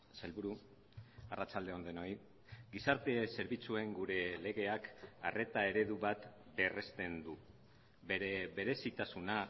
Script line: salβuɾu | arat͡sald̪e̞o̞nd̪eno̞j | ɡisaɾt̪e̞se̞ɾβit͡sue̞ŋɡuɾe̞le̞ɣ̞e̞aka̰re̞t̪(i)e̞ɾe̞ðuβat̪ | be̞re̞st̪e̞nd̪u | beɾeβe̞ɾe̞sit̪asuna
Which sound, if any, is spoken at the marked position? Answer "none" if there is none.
a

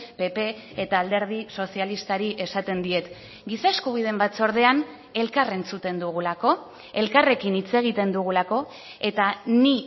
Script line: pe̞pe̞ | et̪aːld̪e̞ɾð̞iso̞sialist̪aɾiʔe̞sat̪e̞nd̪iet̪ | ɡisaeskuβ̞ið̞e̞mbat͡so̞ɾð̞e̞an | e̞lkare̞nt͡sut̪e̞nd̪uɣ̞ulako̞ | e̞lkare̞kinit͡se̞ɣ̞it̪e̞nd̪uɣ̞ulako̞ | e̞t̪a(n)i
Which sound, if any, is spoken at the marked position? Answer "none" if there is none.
n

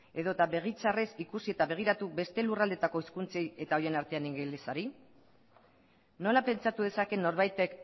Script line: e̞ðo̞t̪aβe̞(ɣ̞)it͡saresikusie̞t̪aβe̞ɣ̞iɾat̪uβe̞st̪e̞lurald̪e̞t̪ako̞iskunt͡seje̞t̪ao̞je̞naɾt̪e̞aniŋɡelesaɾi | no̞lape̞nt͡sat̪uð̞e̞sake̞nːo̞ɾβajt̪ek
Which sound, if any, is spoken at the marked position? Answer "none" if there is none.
ɣ̞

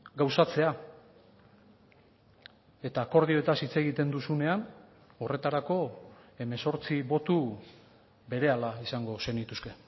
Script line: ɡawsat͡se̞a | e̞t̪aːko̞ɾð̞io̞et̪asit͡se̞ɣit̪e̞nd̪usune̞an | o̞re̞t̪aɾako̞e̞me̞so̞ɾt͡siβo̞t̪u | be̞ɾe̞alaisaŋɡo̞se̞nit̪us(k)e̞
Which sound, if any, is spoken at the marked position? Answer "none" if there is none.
k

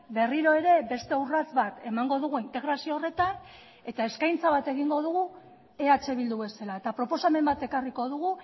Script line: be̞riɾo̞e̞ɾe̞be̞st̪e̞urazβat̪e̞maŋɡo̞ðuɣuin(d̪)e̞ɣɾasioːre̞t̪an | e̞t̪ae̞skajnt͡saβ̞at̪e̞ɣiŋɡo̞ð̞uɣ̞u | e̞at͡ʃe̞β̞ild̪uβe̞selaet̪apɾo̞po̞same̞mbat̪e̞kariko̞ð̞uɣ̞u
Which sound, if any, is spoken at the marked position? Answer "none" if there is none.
t̪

